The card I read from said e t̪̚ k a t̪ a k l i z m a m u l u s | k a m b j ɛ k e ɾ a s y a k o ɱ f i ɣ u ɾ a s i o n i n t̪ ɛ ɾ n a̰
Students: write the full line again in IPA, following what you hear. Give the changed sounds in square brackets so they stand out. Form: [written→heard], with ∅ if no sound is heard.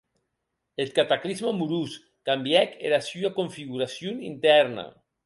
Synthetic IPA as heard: e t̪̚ k a t̪ a k l i z m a m u [l→ɾ] u s | k a m b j ɛ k e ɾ a s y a k o ɱ f i ɣ u ɾ a s [i→j] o n i n t̪ ɛ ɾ n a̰